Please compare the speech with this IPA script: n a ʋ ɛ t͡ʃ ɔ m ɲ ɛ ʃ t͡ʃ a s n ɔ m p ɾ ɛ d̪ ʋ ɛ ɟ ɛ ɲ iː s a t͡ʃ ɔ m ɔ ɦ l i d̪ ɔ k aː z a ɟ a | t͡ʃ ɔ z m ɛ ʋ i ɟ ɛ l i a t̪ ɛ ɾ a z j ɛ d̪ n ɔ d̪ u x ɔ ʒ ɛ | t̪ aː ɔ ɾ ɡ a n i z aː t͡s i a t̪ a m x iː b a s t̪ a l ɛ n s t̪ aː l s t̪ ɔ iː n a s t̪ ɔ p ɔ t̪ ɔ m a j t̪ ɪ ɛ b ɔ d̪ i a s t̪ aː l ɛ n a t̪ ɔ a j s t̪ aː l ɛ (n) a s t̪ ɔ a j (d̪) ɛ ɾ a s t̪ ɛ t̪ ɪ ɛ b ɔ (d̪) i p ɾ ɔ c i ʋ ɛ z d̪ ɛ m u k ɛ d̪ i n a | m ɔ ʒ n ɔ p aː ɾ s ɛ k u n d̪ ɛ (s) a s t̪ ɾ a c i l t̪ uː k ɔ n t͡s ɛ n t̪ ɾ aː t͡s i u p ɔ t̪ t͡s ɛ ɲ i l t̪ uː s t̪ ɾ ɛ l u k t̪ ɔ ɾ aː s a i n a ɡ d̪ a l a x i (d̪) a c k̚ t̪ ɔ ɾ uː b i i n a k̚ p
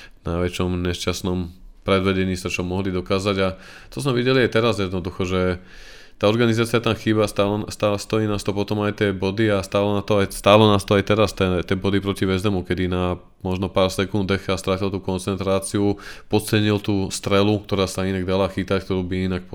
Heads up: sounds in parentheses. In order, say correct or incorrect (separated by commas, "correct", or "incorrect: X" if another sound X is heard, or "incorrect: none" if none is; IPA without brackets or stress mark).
correct, incorrect: t̪, correct, incorrect: x, incorrect: t̪